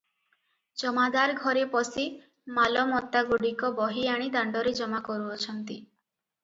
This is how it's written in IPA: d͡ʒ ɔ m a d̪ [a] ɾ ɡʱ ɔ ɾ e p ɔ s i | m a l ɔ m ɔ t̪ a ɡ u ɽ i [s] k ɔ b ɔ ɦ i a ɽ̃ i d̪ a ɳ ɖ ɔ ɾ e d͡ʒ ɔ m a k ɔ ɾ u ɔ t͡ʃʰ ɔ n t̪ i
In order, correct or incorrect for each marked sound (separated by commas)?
correct, incorrect